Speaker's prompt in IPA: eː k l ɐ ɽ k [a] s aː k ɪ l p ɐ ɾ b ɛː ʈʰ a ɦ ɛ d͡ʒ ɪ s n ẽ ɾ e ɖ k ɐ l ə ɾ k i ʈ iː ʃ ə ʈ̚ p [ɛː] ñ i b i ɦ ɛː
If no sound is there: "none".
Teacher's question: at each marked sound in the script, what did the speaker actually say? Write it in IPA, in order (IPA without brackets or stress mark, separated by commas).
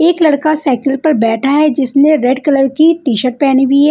a, ɛː